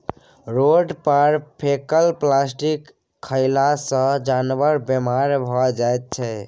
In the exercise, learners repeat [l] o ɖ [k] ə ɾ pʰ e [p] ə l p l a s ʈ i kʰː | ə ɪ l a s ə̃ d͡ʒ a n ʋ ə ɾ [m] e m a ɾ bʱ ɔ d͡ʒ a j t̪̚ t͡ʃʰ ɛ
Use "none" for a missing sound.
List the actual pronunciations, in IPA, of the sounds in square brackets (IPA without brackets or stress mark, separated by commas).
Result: ɾ, p, k, b